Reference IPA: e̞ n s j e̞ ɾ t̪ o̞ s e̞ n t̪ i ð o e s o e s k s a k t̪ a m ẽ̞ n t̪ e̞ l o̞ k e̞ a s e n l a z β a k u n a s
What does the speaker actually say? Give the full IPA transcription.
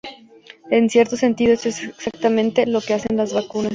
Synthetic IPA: e̞ n s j e̞ ɾ t̪ o̞ s e̞ n t̪ i ð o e s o e s k s a k t̪ a m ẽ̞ n t̪ e̞ l o̞ k e̞ a s e n l a z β a k u n a s